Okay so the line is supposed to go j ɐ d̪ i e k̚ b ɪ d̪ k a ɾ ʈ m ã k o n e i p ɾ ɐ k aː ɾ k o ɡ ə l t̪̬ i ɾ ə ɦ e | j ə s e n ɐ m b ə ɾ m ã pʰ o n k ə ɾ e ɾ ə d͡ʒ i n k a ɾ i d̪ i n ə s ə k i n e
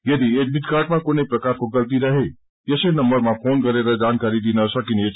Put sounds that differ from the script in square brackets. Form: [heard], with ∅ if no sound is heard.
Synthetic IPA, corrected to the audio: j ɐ d̪ i e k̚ b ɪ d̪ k a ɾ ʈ m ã k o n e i p ɾ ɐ k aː ɾ k o ɡ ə l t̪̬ i ɾ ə ɦ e | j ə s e n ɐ m b ə ɾ m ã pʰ o n k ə ɾ e ɾ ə d͡ʒ [a] n k a ɾ i d̪ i n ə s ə k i n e